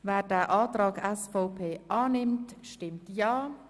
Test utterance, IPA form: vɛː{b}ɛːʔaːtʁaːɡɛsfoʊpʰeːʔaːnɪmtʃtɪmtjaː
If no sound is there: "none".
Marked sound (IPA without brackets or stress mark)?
d